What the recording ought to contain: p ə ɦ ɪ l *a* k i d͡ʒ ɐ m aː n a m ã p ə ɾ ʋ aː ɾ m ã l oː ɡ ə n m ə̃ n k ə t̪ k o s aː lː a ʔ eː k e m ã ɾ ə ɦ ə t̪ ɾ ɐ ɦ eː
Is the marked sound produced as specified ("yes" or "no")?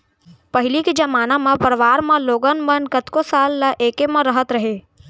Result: no